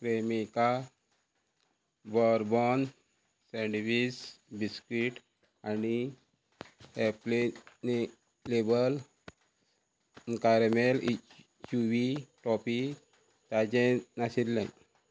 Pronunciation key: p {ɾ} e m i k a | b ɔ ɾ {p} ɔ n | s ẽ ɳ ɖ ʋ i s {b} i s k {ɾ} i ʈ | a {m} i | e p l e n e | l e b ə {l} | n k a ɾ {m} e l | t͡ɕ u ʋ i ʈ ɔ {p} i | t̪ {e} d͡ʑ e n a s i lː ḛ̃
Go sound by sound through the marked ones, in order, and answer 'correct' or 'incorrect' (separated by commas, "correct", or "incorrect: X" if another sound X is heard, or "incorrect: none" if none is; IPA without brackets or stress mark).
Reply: correct, incorrect: b, correct, correct, incorrect: n, correct, correct, correct, incorrect: a